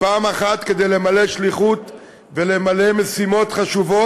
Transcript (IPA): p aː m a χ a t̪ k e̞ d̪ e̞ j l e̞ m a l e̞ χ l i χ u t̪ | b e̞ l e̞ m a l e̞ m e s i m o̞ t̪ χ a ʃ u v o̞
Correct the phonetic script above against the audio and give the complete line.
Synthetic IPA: p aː m a χ a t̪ k e̞ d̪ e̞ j l e̞ m a l e̞ ʃ l i χ u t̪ | v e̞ l e̞ m a l e̞ m e s i m o̞ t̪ χ a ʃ u v o̞